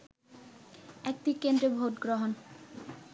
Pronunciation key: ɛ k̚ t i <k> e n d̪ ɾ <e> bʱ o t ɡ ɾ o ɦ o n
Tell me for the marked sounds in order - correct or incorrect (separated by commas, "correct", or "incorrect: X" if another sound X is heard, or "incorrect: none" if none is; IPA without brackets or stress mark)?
correct, correct